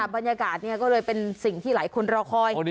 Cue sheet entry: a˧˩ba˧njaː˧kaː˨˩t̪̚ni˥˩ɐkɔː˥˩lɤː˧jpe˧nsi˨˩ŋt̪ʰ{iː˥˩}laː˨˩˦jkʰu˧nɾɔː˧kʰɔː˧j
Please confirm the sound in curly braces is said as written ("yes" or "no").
yes